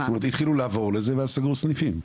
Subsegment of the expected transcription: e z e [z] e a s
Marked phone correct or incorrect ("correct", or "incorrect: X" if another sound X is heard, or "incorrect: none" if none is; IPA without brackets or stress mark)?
incorrect: v